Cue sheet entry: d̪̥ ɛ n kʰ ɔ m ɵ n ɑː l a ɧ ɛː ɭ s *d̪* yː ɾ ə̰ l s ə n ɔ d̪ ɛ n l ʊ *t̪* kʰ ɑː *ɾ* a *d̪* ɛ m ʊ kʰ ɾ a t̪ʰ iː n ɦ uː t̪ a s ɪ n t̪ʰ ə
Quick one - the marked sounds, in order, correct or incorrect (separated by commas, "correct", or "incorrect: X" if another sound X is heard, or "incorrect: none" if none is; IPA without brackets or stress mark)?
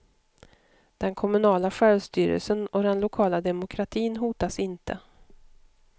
incorrect: t̪, incorrect: none, incorrect: l, correct